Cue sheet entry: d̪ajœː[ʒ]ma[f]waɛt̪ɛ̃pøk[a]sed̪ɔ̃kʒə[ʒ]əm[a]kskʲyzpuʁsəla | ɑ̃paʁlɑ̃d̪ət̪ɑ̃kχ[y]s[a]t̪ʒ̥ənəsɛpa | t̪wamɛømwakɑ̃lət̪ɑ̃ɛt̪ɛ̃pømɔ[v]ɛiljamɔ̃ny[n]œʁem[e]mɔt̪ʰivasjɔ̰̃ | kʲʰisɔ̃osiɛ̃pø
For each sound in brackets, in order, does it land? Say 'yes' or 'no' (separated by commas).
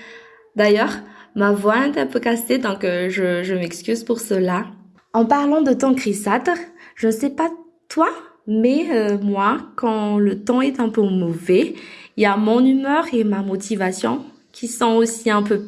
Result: no, no, yes, yes, no, no, yes, yes, no, no